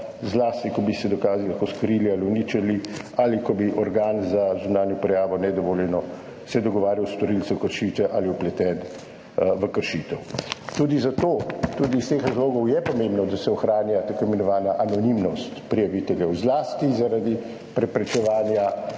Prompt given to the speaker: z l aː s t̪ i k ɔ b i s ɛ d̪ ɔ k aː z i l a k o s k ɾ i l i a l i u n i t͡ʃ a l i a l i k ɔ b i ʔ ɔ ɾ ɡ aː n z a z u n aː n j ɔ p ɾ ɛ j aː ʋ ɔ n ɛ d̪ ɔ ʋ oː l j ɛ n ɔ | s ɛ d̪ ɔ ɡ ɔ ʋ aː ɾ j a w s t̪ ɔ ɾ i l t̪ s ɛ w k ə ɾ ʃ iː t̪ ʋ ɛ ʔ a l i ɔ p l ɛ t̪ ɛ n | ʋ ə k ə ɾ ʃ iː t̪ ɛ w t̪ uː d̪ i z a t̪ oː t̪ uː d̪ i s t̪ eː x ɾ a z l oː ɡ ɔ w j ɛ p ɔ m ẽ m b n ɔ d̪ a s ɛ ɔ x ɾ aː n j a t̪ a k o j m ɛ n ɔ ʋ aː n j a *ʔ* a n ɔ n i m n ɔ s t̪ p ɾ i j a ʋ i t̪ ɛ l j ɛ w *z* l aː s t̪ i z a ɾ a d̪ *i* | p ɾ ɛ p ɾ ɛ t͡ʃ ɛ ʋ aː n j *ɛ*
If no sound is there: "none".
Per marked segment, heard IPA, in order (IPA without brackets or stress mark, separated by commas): ʔ, z, i, a